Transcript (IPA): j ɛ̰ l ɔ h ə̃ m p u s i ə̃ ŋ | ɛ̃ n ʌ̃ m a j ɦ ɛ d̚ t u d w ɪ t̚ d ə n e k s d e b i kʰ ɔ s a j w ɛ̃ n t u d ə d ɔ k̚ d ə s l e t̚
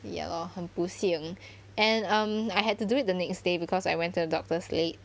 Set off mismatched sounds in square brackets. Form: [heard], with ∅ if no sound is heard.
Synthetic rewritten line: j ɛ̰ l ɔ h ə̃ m p u s i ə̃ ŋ | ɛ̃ n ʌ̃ m a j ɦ ɛ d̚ t u d [u] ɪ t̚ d ə n [ɛ] k s d e b i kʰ ɔ s a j w ɛ̃ n t u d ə d ɔ k̚ [t] ə s l e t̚